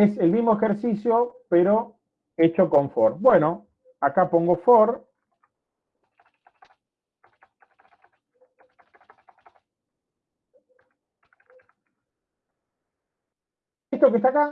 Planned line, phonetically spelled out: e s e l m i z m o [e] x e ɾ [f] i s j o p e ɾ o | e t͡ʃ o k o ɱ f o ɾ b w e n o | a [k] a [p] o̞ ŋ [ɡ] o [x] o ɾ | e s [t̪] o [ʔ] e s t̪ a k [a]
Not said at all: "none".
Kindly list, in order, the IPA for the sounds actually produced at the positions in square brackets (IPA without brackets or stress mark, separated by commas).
e, s, k, p, ɡ, f, t̪, k, a